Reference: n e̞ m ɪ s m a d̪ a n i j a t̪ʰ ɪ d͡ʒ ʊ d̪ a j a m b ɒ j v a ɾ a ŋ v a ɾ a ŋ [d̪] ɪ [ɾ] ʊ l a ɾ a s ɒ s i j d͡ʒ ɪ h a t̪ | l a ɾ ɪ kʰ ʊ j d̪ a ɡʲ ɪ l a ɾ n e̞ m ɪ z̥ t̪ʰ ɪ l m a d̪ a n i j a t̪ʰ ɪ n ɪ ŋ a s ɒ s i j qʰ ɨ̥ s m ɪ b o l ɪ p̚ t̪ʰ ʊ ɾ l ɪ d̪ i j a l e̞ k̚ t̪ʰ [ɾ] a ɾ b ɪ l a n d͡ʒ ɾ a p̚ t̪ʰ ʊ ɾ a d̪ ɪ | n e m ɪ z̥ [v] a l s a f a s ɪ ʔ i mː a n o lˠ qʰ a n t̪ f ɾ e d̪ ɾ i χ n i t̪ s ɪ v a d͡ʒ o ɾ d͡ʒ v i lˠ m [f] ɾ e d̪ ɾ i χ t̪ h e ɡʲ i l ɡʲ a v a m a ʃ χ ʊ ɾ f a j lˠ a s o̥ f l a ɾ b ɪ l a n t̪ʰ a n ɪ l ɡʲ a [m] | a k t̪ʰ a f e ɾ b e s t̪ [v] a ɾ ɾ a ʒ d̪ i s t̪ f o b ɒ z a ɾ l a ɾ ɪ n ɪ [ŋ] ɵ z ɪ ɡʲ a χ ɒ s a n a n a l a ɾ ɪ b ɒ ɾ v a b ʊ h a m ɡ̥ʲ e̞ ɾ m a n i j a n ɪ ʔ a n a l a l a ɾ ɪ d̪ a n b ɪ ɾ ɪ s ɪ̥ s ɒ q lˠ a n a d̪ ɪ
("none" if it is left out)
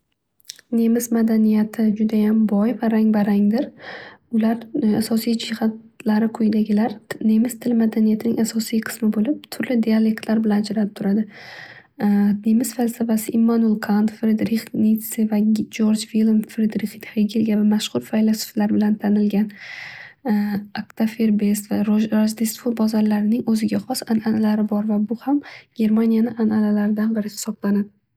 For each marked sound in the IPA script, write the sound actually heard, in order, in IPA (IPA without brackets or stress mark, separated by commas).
d̪, ɾ, l, f, f, n, v, ŋ